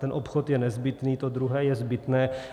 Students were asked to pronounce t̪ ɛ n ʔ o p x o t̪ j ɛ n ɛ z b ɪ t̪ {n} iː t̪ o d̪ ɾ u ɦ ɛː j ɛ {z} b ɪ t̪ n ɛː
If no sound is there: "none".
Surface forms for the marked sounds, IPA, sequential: n, z

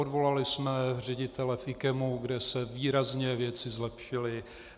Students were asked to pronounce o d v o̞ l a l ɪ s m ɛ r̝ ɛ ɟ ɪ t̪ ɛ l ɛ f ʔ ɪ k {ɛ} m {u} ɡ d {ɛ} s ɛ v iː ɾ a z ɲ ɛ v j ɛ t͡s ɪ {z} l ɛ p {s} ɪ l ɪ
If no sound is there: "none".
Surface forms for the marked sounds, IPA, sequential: ɛ, u, ɛ, z, ʃ

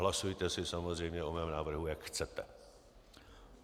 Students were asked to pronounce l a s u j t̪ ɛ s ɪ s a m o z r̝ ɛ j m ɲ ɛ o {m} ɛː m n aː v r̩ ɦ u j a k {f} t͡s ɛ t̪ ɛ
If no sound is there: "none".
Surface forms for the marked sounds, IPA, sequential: m, x

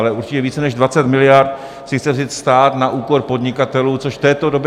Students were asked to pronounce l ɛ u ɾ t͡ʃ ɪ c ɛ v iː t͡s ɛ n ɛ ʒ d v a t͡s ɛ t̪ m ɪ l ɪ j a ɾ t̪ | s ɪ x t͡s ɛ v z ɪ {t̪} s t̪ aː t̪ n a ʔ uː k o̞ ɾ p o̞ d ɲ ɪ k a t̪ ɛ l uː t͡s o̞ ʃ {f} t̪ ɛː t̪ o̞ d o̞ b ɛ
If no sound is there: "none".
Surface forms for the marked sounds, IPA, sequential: t̪, f

